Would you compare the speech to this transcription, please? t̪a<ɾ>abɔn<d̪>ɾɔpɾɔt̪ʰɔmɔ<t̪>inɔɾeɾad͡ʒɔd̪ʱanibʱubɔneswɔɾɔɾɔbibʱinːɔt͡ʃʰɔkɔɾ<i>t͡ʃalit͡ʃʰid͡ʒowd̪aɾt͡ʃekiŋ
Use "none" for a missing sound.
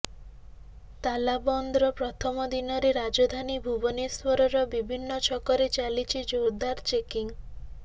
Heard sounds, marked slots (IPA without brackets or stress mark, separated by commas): l, d̪, d̪, e